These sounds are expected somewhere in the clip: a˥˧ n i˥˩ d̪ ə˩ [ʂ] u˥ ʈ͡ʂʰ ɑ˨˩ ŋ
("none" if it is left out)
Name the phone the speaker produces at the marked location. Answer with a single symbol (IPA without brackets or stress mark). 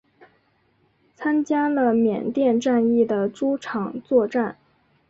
ʈ͡ʂ